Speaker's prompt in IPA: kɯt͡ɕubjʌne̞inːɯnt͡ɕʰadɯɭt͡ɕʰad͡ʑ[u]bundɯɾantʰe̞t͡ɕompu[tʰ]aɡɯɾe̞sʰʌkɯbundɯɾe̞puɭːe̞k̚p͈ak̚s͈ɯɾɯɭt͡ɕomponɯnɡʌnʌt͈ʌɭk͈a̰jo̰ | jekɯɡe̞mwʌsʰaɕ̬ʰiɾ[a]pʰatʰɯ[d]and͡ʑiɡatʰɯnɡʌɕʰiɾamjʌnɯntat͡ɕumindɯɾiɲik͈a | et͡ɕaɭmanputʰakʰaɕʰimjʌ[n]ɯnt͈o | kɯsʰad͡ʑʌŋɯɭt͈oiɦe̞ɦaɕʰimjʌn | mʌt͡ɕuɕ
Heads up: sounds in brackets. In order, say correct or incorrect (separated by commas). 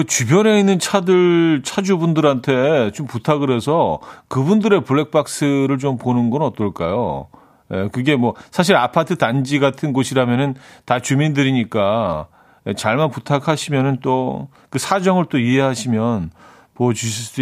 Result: correct, correct, correct, incorrect, correct